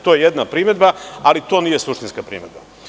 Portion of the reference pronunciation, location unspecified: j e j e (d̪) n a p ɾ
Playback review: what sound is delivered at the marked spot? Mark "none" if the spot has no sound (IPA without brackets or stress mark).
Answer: d̪